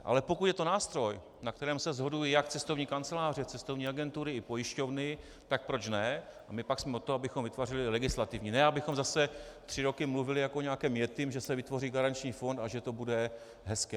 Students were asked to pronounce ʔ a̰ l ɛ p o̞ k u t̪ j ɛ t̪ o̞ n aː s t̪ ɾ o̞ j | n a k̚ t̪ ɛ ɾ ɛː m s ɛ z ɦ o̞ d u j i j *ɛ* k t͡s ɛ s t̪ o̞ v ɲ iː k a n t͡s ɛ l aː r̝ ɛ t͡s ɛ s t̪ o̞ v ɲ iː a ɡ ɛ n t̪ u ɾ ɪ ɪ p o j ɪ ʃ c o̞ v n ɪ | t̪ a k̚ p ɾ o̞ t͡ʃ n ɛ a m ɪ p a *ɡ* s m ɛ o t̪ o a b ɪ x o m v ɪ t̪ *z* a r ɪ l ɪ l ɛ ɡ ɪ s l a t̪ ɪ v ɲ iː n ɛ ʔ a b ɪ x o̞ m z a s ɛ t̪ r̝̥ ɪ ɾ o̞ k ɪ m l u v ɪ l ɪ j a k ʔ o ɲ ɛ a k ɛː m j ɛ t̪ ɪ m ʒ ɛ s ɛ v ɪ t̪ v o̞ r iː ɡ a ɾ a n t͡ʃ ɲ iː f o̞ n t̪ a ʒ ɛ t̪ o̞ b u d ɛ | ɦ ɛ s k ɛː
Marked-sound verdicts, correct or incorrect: incorrect: a, incorrect: k, incorrect: v

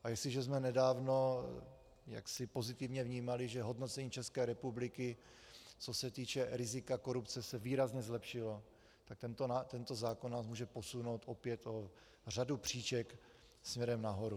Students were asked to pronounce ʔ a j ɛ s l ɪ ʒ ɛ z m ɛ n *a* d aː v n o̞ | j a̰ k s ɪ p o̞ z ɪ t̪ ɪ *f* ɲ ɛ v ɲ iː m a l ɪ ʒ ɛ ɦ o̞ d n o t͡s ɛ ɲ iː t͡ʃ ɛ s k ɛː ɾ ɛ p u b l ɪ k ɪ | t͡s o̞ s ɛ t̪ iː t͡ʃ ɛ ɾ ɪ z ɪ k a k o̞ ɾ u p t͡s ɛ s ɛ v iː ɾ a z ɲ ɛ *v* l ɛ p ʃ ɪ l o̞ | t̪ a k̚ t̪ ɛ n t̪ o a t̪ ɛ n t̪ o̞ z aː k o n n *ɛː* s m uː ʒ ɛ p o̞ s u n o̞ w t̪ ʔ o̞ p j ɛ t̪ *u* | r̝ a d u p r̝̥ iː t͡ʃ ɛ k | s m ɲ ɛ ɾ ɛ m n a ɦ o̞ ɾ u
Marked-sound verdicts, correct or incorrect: incorrect: ɛ, incorrect: v, incorrect: z, incorrect: aː, incorrect: o

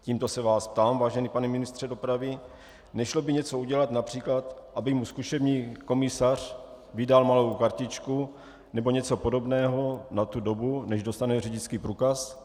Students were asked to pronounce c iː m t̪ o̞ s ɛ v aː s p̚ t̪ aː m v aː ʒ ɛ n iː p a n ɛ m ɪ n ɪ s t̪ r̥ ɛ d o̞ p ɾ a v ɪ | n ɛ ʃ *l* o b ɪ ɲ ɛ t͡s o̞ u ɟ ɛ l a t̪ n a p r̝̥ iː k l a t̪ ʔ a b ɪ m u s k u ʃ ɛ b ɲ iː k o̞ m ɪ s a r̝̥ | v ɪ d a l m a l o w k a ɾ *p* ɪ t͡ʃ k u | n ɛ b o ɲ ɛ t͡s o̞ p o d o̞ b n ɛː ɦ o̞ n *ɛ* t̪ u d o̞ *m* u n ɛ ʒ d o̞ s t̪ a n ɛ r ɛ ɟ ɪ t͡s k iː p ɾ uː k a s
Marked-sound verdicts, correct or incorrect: correct, incorrect: c, incorrect: a, incorrect: b

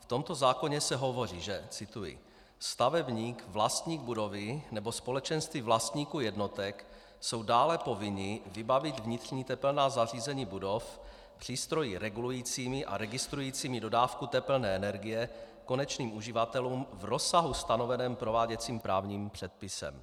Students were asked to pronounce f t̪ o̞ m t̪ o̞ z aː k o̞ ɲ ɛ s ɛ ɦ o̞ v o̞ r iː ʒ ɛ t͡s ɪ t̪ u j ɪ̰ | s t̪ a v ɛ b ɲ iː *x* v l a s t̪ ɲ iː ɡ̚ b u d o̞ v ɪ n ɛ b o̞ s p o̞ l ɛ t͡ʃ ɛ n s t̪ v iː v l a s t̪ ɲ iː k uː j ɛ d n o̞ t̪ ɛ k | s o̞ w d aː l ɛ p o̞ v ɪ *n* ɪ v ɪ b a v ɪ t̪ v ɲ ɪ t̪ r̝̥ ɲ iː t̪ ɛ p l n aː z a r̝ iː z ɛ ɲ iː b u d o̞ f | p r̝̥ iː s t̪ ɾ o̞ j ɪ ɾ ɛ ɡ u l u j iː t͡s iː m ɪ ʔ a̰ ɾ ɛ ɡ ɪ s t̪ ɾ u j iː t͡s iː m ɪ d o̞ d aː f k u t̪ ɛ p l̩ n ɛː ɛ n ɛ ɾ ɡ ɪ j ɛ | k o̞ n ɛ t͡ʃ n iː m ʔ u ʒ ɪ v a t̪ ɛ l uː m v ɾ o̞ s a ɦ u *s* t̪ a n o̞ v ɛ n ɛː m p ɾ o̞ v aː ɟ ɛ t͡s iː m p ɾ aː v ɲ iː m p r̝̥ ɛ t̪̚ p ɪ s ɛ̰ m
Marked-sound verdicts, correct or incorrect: incorrect: k, incorrect: ɲ, correct

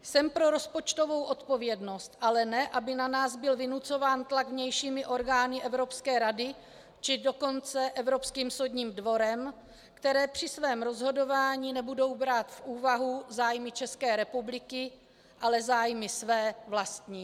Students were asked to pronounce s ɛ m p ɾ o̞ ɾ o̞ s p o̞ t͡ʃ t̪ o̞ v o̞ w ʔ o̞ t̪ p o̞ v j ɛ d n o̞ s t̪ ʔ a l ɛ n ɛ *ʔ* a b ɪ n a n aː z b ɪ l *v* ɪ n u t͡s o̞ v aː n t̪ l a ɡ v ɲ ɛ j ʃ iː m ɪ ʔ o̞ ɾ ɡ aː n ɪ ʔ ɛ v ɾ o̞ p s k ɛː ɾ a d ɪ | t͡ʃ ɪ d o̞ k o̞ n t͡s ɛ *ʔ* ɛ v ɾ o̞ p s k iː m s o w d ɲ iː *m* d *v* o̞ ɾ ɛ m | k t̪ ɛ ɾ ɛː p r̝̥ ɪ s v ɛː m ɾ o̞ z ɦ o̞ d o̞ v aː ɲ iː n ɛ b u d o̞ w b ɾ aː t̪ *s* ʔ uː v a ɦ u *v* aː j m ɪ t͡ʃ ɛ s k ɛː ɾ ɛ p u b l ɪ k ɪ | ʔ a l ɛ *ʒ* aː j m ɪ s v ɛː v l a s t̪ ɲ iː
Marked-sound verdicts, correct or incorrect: correct, correct, correct, correct, correct, incorrect: f, incorrect: z, incorrect: z

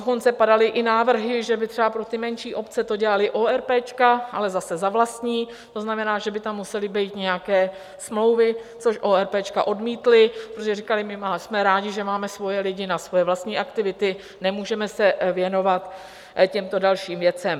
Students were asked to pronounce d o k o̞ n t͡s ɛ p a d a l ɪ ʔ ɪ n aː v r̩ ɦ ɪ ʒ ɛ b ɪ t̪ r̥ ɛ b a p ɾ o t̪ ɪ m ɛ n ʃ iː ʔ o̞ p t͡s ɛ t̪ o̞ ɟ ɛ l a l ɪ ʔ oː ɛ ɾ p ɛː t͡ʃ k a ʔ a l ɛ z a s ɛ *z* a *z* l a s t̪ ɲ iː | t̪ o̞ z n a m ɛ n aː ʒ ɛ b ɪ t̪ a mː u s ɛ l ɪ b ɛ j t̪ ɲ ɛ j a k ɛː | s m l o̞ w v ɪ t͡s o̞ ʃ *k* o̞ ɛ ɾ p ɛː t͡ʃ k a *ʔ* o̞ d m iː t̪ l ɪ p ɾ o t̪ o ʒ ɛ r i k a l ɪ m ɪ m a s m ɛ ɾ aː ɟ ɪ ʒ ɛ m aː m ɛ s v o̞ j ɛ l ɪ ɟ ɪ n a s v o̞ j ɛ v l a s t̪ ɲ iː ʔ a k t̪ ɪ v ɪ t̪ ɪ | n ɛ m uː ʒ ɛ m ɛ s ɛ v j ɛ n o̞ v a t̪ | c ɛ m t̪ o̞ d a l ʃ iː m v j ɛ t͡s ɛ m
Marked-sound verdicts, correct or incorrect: correct, incorrect: v, incorrect: ʔ, correct

